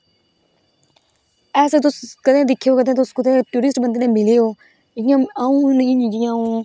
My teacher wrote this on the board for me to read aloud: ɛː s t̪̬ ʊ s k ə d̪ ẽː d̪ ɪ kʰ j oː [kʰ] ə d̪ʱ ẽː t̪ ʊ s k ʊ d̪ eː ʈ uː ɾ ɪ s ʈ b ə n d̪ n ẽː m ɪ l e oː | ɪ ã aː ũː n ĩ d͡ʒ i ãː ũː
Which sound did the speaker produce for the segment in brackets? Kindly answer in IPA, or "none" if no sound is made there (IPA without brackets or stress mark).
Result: k